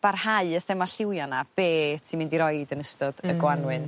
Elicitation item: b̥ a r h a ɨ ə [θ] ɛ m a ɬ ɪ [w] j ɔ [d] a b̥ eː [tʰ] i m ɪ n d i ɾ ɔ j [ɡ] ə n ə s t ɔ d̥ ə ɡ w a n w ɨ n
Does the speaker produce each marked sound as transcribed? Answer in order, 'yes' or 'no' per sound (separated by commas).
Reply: yes, yes, no, yes, no